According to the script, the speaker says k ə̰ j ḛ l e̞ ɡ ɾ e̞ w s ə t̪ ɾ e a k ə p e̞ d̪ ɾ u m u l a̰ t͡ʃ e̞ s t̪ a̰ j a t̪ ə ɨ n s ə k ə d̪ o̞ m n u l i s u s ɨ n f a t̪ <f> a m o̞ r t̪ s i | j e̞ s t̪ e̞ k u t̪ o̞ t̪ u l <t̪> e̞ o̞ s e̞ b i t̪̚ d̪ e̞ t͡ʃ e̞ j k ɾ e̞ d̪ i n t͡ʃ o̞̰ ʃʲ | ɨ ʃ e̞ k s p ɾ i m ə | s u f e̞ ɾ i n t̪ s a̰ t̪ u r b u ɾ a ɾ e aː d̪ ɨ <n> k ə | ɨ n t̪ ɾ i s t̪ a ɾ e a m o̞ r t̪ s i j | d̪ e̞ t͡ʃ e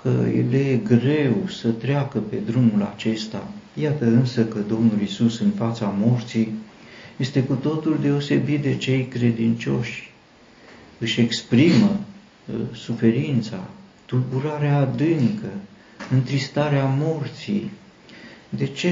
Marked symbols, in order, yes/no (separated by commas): no, no, no